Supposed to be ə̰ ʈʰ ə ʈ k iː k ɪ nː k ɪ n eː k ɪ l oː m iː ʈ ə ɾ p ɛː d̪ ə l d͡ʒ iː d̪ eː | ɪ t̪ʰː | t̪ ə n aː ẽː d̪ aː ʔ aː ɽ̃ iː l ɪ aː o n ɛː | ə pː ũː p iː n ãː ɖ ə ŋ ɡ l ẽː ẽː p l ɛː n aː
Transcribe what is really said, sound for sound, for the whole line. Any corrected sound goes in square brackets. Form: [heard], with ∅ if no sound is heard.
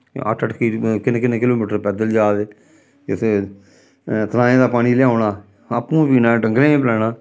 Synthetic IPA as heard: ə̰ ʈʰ ə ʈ k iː k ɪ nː k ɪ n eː k ɪ l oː m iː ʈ ə ɾ p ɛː d̪ ə l d͡ʒ [aː] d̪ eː | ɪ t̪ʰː | t̪ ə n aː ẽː d̪ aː [p] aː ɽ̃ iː l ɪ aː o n [aː] | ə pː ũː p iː n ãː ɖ ə ŋ ɡ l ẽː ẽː p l ɛː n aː